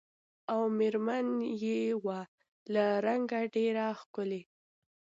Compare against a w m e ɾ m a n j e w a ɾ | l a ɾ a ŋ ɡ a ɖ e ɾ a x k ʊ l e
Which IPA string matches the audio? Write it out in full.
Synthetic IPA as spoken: a w m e ɾ m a n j e w a | l a ɾ a ŋ ɡ a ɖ e ɾ a x k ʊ l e